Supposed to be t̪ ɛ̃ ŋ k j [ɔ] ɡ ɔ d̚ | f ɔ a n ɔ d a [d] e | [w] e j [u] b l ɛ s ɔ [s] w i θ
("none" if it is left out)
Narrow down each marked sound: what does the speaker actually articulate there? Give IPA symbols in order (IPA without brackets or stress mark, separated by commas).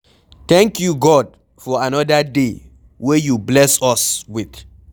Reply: u, d, w, u, s